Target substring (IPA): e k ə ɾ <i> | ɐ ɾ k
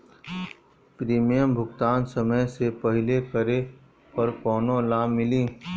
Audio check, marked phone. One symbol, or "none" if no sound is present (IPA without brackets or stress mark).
e